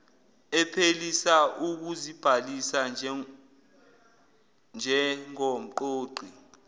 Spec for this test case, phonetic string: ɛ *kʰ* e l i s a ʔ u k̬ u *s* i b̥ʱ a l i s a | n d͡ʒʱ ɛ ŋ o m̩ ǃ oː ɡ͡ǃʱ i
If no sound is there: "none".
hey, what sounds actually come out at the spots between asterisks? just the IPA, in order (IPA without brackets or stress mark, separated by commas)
pʰ, z